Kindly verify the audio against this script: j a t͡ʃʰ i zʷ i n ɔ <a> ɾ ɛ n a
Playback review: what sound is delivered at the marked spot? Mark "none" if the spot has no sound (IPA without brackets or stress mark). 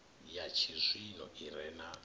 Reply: i